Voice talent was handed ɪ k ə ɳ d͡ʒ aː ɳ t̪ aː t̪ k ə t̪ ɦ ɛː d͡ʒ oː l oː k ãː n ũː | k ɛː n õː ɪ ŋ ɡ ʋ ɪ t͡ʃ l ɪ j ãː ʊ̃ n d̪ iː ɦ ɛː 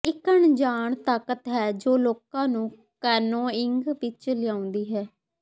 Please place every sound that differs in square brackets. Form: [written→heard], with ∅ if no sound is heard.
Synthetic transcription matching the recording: ɪ k ə ɳ d͡ʒ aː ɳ t̪ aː [t̪→∅] k ə t̪ ɦ ɛː d͡ʒ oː l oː k ãː n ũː | k ɛː n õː ɪ ŋ ɡ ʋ ɪ t͡ʃ l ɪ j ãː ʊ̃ n d̪ iː ɦ ɛː